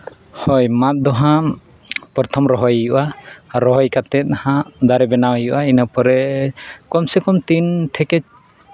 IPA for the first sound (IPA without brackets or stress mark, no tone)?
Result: h